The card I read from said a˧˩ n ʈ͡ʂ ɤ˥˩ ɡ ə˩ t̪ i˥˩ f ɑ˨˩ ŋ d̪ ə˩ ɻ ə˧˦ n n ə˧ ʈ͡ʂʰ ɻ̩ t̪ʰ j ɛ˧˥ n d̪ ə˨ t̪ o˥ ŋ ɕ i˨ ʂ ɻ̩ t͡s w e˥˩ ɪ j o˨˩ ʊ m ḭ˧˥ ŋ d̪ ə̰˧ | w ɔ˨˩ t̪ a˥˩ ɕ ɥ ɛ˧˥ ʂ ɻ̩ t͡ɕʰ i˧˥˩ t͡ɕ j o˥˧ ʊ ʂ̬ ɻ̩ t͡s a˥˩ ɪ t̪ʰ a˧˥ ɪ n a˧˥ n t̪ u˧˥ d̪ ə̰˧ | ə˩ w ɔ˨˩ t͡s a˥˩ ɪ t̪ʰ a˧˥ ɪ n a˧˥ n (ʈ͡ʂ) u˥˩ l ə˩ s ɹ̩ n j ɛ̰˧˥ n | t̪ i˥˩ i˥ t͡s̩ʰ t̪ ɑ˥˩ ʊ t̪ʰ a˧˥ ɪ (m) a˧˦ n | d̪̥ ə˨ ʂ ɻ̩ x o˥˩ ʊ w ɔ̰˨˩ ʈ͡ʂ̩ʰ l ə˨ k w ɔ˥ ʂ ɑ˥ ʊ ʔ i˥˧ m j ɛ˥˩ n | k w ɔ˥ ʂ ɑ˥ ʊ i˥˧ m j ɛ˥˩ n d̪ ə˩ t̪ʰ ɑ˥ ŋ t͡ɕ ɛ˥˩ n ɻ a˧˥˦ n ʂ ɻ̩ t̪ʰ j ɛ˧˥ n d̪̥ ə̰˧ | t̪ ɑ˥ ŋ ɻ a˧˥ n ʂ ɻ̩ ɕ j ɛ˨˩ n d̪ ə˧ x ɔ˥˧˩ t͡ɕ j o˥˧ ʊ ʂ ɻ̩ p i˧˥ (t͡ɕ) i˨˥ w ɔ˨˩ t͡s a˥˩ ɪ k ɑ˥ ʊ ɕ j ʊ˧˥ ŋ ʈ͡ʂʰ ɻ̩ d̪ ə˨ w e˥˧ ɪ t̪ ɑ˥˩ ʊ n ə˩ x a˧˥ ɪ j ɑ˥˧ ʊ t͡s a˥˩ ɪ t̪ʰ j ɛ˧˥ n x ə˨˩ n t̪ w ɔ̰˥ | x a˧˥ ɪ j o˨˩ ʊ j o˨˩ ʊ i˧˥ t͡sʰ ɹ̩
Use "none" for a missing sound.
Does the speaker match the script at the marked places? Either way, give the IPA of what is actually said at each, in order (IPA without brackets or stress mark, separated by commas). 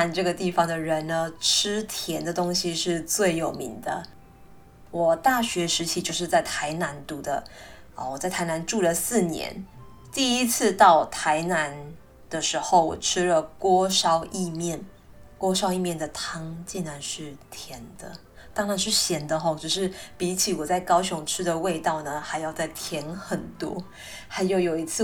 ʈ͡ʂ, n, t͡ɕʰ